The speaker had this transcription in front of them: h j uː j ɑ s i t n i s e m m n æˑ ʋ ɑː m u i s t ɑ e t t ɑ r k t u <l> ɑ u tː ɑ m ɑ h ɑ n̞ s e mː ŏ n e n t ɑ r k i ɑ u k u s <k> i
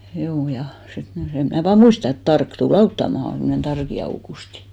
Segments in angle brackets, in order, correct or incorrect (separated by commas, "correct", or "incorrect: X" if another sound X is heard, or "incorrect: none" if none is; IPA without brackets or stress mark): correct, incorrect: t